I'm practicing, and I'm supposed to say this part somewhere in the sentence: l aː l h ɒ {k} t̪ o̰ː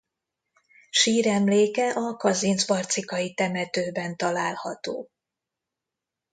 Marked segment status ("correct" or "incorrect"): incorrect